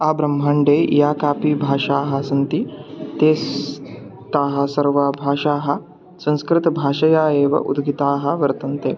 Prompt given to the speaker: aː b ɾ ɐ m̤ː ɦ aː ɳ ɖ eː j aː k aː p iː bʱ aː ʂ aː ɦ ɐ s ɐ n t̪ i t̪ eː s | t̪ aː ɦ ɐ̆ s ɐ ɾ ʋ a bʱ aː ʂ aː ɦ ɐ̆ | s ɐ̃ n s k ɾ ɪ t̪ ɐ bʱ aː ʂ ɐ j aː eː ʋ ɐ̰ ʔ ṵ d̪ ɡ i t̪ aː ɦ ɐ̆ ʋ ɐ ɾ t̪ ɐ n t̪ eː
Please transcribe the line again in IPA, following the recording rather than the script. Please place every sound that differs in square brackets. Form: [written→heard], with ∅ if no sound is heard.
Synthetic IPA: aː b ɾ ɐ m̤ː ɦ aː ɳ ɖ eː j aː k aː p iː bʱ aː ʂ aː ɦ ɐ s ɐ n t̪ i t̪ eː s | t̪ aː ɦ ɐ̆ s ɐ ɾ ʋ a bʱ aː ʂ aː ɦ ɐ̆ | s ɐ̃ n s k ɾ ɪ t̪ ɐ bʱ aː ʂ ɐ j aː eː ʋ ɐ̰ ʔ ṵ d̪ ɡ i t̪ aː ɦ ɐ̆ ʋ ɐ ɾ t̪ ɐ n t̪ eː